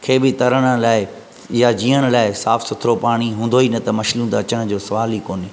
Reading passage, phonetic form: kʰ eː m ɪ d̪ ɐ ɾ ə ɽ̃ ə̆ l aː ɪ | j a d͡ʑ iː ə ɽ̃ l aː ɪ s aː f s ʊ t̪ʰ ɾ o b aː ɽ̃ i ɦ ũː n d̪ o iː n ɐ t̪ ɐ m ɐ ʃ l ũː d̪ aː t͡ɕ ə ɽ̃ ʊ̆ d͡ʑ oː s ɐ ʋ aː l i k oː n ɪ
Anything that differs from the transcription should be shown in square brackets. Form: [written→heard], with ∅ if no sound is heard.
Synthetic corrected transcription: kʰ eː [m→b] ɪ [d̪→t̪] ɐ ɾ ə ɽ̃ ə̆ l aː ɪ | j a d͡ʑ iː ə ɽ̃ l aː ɪ s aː f s ʊ t̪ʰ ɾ o [b→p] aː ɽ̃ i ɦ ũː n d̪ o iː n ɐ t̪ ɐ m ɐ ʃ l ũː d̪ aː t͡ɕ ə ɽ̃ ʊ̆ d͡ʑ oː s ɐ ʋ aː l i k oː n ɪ